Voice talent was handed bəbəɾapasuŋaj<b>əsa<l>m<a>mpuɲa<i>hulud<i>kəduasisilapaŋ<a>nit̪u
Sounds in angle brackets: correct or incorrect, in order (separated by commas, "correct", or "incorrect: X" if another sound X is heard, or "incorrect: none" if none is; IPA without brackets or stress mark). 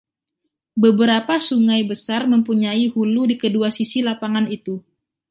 correct, incorrect: r, incorrect: ə, correct, correct, correct